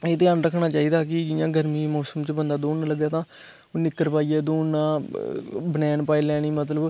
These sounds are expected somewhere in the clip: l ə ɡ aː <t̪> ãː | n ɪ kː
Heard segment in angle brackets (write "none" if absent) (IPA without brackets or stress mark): t̪